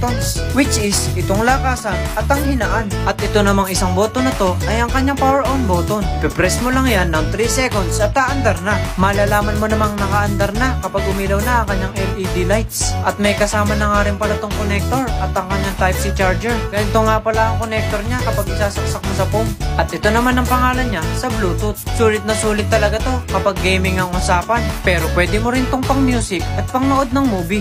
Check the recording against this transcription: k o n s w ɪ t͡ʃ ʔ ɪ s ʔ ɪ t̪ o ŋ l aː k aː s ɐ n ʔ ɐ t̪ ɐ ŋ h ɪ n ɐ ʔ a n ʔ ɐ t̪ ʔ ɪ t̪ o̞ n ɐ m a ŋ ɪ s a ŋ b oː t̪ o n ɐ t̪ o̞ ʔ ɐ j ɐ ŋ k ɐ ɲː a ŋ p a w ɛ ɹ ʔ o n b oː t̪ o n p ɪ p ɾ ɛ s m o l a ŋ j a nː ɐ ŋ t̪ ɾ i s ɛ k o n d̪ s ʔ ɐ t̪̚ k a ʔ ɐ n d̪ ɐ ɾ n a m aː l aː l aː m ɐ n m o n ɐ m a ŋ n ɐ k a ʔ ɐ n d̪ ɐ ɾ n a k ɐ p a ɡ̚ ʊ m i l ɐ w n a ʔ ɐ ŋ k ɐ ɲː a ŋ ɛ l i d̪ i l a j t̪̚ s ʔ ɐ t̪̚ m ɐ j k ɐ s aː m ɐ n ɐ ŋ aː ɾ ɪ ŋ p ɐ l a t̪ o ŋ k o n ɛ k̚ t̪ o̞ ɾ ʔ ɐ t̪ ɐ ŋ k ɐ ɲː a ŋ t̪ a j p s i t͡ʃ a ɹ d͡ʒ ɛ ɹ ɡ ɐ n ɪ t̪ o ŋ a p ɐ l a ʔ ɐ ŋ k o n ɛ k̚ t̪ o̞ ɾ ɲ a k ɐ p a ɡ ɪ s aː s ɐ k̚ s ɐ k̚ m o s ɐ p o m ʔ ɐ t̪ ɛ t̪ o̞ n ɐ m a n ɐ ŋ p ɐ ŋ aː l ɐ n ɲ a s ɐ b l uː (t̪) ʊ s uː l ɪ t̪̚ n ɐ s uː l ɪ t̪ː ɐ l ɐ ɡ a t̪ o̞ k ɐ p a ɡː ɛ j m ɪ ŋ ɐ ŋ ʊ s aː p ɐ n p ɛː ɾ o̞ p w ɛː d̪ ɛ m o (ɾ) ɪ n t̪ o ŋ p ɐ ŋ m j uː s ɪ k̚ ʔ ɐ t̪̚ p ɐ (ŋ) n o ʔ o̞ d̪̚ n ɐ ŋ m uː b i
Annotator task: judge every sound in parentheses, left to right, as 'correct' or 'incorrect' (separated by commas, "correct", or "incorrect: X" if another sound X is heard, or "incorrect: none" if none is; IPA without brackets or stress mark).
correct, correct, correct